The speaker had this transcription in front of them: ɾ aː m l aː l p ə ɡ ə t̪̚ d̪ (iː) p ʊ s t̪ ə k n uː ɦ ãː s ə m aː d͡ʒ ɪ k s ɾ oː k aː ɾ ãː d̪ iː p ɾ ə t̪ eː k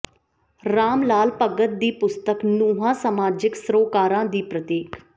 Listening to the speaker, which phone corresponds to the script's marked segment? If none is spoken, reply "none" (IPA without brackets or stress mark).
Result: iː